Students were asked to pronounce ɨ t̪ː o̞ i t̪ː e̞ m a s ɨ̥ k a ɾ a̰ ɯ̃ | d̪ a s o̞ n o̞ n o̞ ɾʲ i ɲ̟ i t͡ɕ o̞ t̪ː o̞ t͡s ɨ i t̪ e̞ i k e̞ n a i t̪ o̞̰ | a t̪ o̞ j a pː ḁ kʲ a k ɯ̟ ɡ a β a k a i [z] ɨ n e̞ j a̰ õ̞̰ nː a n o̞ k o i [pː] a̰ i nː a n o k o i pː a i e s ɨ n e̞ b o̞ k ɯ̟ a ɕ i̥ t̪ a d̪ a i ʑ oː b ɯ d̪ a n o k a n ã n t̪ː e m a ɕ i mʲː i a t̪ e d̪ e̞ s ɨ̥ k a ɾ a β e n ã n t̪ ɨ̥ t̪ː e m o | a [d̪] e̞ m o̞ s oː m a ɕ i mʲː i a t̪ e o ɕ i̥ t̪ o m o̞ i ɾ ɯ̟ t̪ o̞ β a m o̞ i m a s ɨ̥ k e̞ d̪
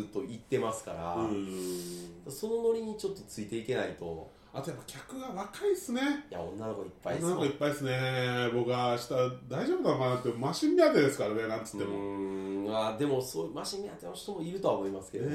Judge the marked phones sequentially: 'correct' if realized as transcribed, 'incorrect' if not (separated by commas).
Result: incorrect, correct, correct